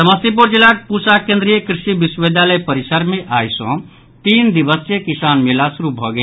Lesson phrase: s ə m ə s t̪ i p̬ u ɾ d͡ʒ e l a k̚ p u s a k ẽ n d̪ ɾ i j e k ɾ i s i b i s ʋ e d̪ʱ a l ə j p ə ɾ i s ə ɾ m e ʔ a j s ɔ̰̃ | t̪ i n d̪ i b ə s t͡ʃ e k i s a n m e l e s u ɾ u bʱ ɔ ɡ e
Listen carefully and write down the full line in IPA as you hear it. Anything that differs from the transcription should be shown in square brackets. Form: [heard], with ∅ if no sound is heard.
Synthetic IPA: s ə m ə s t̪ i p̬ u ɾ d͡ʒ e l a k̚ p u s a k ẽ n d̪ ɾ i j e k ɾ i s i b i s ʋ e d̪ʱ a l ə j p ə ɾ i s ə ɾ m e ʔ a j s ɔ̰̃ | t̪ i n d̪ i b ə s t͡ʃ e k i s a n m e l [a] s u ɾ u bʱ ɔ ɡ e